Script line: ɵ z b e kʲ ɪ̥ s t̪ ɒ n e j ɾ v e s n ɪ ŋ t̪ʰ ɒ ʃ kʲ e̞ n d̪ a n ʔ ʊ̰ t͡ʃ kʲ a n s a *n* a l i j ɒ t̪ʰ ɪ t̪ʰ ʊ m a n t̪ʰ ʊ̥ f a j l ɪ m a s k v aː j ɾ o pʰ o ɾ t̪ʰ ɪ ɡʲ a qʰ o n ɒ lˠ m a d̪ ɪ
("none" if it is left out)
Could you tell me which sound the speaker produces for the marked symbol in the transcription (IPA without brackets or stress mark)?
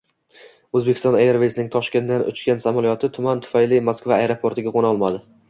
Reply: m